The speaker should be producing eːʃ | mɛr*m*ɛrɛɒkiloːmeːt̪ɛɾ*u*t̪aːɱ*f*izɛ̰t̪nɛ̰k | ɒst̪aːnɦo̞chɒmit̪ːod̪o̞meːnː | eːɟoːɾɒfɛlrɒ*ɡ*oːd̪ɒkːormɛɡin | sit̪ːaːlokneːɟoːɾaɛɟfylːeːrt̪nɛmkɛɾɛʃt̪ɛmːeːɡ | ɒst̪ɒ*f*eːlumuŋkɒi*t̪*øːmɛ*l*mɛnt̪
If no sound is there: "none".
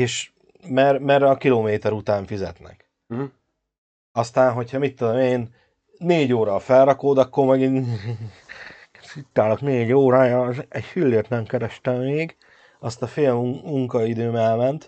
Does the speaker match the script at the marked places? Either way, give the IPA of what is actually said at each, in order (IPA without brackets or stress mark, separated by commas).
m, u, f, k, f, d̪, l